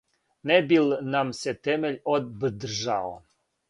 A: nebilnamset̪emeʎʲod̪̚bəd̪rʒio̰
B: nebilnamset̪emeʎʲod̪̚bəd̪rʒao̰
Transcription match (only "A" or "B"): B